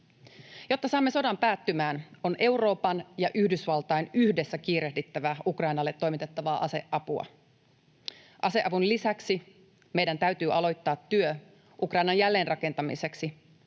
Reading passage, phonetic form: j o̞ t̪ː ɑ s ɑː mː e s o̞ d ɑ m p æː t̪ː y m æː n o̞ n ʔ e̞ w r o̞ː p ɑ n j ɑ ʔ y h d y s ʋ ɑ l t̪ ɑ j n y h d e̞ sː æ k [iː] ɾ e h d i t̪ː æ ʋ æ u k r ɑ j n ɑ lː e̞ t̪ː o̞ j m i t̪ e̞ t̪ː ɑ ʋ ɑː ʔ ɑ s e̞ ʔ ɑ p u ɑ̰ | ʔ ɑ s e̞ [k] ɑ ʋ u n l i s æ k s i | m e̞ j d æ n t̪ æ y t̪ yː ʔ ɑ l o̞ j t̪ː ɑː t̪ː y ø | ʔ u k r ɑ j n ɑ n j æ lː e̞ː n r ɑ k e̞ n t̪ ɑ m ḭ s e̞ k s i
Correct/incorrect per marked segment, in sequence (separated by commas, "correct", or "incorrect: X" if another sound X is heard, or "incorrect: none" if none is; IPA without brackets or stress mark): correct, incorrect: ʔ